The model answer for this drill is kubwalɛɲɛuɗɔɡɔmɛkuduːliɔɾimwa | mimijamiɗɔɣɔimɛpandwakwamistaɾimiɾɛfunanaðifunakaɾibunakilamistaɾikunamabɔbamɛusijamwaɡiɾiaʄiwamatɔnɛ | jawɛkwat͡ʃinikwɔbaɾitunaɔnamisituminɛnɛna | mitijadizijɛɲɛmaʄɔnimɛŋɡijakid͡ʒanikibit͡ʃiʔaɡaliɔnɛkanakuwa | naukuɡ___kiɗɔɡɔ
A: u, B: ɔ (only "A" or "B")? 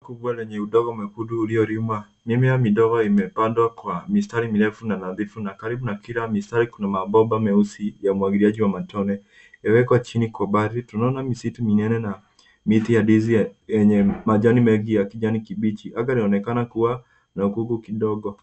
A